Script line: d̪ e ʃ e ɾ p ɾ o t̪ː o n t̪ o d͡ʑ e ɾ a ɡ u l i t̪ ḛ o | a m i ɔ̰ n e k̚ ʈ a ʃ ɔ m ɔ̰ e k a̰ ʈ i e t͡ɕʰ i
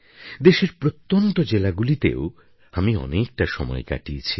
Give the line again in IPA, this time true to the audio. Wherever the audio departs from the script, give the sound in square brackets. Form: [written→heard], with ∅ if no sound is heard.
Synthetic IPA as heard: d̪ e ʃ e ɾ p ɾ o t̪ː o n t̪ o d͡ʑ e [ɾ→l] a ɡ u l i t̪ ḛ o | a m i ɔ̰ n e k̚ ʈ a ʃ ɔ m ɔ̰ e k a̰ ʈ i e t͡ɕʰ i